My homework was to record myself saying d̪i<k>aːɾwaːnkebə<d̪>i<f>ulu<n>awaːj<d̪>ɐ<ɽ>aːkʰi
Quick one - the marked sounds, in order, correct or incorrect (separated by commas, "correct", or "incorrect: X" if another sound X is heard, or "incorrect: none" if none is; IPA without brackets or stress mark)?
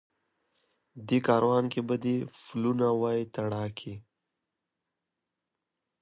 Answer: correct, correct, correct, correct, incorrect: t̪, correct